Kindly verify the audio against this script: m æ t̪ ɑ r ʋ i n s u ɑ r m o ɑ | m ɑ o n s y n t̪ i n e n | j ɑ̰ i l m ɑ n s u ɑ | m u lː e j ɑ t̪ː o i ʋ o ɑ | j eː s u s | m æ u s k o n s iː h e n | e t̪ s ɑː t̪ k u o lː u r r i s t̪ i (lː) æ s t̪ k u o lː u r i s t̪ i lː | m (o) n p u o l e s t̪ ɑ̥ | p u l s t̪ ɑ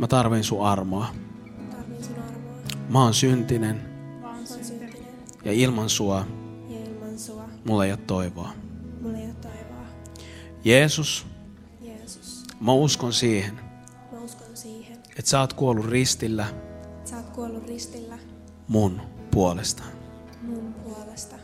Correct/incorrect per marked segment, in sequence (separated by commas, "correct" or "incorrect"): correct, incorrect